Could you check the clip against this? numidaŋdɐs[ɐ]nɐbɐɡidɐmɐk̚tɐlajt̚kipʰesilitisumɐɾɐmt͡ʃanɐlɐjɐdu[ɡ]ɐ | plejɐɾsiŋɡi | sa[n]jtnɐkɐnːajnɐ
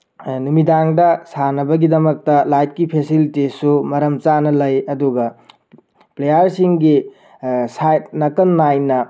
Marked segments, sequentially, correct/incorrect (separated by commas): incorrect, correct, incorrect